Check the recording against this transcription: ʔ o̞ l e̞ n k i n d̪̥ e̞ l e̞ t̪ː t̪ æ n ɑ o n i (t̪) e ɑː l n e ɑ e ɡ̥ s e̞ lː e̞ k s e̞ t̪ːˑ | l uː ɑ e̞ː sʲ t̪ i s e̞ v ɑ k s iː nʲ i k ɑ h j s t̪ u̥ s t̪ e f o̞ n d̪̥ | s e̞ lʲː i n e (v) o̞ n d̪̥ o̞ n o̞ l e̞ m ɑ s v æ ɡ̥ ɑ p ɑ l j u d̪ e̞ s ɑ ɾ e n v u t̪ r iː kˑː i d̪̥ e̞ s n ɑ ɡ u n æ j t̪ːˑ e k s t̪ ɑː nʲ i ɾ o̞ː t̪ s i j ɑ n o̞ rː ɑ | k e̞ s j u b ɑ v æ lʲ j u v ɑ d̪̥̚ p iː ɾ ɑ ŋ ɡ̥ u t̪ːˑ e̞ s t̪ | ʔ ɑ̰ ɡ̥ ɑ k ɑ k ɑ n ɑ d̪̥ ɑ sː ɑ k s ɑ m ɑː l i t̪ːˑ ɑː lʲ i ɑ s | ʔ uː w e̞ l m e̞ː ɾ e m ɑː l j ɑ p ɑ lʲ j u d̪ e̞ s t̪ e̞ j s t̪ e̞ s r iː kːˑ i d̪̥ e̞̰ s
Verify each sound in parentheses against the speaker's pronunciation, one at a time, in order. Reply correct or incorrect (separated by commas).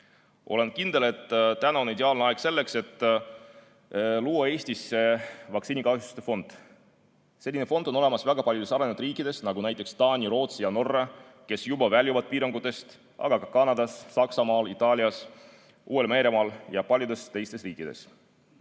incorrect, incorrect